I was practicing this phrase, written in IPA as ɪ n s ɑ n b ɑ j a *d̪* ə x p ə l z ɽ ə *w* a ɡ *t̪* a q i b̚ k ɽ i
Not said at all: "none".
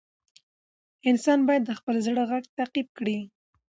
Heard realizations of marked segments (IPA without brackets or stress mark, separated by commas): d̪ː, ɣ, t̪